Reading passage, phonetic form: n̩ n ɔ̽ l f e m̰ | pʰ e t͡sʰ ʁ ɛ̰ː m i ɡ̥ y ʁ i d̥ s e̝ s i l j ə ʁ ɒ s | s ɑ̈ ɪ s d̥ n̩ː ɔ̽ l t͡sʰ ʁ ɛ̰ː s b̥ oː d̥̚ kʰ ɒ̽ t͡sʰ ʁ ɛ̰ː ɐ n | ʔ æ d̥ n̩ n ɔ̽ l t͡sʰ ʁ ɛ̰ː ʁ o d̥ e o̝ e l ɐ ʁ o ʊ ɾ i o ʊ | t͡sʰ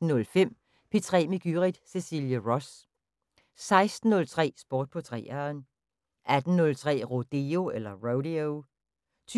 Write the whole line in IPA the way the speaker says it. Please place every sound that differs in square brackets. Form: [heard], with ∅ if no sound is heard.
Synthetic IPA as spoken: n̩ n ɔ̽ l f e m̰ | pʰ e t͡sʰ ʁ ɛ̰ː m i ɡ̥ y ʁ i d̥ s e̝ s i l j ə ʁ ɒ s | s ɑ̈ ɪ s d̥ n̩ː ɔ̽ l t͡sʰ ʁ ɛ̰ː s b̥ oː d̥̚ [pʰ] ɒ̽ t͡sʰ ʁ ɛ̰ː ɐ n | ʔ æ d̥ n̩ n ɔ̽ l t͡sʰ ʁ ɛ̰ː ʁ o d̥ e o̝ e l ɐ ʁ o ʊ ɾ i o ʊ | t͡sʰ